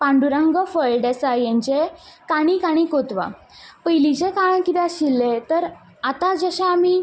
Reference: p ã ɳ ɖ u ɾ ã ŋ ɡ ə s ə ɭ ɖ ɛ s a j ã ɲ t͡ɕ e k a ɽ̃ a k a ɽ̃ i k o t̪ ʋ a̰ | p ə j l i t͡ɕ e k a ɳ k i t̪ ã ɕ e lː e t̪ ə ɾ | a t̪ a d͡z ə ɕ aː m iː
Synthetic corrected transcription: p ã ɳ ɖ u ɾ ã ŋ ɡ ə f ə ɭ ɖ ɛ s a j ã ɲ t͡ɕ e k a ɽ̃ i k a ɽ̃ i k o t̪ ʋ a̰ | p ə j l i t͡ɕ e k a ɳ k i t̪ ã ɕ i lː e t̪ ə ɾ | a t̪ a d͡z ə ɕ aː m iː